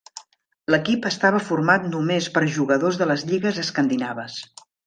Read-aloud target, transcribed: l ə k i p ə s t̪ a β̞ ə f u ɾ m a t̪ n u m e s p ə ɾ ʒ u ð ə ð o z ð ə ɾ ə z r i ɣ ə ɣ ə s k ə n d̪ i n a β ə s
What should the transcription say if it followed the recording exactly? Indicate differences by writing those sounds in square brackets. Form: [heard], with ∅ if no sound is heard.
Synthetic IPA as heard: l ə k i p ə s t̪ a β̞ ə f u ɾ m a t̪ n u m e s p ə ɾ ʒ u [ɣ] ə ð o z ð ə [l] ə z [ʎ] i ɣ ə [z] ə s k ə n d̪ i n a β ə s